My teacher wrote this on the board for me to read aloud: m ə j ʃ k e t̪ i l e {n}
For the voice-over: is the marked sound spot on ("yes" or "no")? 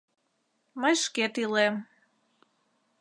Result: no